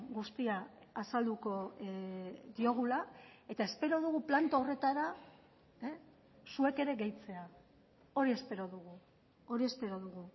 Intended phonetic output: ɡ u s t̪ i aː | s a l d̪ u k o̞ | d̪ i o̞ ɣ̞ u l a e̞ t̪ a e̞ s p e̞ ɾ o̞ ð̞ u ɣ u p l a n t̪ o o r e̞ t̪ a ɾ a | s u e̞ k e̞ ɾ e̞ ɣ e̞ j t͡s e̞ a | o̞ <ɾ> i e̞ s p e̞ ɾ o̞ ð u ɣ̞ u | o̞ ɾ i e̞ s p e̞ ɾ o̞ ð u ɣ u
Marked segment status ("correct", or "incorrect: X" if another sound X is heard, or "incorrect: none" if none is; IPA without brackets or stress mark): correct